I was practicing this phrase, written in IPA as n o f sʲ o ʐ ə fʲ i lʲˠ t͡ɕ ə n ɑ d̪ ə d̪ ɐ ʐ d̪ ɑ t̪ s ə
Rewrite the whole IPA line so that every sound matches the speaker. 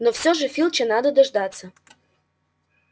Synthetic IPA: n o f sʲ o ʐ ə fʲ i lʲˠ t͡ɕ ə n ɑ d̪ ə d̪ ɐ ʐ d̪ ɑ t̪ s ə